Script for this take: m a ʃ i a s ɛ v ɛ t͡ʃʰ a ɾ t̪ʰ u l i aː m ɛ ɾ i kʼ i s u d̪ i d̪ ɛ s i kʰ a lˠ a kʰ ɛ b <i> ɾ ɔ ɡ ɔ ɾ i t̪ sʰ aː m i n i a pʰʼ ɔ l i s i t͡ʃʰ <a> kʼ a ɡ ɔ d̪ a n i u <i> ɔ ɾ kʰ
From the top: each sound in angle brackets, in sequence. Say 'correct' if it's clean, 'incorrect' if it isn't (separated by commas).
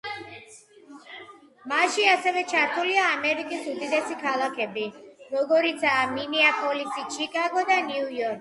correct, incorrect, incorrect